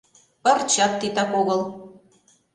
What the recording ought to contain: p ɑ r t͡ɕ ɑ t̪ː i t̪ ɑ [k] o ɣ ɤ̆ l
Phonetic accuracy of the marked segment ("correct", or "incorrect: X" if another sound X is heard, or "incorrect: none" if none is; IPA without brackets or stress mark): correct